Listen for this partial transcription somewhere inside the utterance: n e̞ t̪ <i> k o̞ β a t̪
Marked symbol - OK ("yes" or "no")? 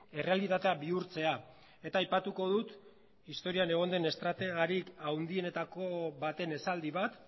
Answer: no